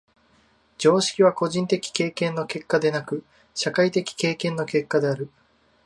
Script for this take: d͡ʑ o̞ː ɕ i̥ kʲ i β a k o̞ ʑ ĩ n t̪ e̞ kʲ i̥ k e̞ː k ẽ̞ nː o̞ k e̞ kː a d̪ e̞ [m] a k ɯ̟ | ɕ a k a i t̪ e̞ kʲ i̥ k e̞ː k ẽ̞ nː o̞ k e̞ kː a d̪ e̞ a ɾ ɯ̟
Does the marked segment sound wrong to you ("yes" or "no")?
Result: yes